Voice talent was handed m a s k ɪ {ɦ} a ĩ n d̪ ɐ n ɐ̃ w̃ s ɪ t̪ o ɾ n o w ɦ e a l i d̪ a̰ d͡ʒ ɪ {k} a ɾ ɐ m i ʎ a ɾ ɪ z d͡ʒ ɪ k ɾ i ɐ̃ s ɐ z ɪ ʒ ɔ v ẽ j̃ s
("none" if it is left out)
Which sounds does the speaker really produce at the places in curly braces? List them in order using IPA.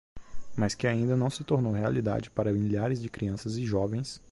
none, p

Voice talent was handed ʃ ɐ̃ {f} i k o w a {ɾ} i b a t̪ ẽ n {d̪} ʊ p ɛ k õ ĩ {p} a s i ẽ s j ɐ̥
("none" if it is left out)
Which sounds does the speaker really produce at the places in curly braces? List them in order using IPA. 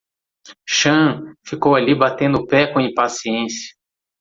f, l, d̪, p

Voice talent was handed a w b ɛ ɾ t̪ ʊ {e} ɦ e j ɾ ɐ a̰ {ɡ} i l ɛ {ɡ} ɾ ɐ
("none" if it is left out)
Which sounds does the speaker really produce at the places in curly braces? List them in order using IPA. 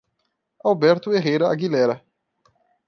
e, ɡ, none

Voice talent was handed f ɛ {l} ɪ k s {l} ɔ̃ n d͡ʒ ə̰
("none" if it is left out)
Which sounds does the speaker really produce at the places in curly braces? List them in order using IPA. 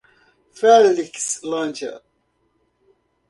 l, l

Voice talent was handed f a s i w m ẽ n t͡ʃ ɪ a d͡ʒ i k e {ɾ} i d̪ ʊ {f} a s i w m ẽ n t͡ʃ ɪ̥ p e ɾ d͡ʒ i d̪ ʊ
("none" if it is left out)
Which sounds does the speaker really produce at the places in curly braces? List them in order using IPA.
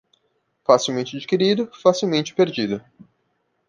ɾ, f

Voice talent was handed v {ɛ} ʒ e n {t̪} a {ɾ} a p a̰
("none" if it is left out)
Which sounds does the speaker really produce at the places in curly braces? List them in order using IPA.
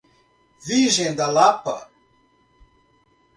i, d̪, l

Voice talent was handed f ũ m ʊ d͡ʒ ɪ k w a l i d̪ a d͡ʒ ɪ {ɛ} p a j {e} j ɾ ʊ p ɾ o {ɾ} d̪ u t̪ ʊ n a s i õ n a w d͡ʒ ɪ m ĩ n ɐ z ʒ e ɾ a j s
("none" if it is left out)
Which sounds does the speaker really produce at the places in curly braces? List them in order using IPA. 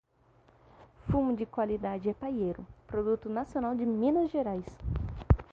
ɛ, e, none

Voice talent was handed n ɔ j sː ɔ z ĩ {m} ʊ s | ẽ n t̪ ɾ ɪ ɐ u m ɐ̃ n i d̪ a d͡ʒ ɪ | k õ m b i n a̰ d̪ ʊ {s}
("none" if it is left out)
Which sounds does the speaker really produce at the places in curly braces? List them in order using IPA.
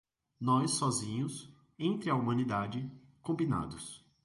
ɲ, s

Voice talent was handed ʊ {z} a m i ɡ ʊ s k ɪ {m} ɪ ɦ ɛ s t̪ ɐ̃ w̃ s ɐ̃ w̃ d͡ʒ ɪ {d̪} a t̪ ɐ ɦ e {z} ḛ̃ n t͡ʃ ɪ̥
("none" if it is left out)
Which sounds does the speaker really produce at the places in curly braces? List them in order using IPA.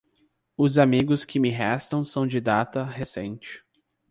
z, m, d̪, s

